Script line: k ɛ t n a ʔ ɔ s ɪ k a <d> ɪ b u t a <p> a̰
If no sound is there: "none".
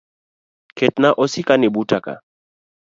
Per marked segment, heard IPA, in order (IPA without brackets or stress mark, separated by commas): n, k